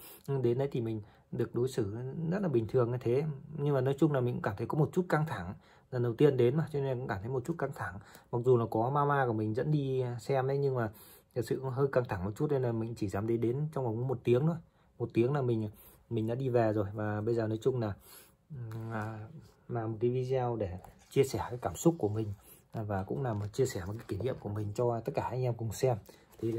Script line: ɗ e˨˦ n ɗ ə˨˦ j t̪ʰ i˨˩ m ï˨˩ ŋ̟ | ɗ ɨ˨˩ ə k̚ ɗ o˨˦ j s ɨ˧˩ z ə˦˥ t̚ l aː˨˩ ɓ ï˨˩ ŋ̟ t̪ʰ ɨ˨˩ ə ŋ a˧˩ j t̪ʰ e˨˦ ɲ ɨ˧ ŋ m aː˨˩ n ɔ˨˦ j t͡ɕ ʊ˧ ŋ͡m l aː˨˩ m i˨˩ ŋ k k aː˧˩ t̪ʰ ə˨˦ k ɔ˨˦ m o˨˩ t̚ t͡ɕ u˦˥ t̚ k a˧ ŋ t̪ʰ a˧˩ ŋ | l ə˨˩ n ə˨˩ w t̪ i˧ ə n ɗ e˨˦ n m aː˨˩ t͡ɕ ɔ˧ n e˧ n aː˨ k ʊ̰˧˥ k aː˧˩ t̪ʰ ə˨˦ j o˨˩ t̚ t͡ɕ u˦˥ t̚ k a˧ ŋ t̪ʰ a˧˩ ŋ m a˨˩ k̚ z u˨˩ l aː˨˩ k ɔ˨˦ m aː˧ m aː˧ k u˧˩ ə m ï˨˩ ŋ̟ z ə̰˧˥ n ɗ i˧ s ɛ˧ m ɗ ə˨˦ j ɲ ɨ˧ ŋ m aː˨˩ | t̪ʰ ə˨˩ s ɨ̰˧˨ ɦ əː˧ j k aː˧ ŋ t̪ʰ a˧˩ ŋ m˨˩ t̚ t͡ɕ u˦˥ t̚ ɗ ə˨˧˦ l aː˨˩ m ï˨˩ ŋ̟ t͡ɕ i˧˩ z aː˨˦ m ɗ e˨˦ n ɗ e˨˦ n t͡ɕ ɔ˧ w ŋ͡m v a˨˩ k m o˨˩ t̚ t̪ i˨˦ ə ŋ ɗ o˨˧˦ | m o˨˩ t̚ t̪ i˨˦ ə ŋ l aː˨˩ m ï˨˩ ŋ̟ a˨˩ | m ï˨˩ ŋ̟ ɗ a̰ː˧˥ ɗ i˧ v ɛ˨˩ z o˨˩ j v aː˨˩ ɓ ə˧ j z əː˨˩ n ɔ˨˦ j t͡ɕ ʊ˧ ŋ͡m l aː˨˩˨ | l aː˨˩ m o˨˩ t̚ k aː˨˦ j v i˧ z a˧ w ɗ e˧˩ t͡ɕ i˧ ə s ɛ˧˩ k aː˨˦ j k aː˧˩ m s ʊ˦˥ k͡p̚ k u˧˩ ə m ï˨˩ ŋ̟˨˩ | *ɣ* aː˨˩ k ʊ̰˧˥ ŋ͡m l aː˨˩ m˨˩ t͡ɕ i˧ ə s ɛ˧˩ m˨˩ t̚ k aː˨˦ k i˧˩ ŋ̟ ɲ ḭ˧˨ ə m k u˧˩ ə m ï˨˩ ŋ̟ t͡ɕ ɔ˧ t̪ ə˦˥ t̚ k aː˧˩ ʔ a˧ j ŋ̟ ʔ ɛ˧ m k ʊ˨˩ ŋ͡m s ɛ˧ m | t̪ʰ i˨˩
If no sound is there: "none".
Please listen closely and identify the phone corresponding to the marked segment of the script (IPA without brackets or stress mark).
v